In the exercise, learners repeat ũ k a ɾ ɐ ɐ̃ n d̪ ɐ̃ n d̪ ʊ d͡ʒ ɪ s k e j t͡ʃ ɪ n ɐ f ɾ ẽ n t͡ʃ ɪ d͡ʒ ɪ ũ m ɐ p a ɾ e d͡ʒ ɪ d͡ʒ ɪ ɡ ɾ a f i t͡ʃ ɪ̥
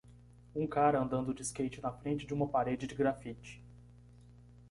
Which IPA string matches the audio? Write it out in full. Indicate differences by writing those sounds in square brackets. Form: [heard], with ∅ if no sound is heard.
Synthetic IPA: ũ k a ɾ ɐ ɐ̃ n d̪ ɐ̃ n d̪ ʊ d͡ʒ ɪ s k e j t͡ʃ ɪ n ɐ f ɾ ẽ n t͡ʃ ɪ d͡ʒ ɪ ũ m ɐ p a ɾ e d͡ʒ ɪ d͡ʒ ɪ ɡ ɾ a f i t͡ʃ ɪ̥